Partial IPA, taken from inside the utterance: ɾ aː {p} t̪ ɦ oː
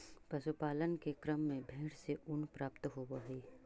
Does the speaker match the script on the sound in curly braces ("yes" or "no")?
yes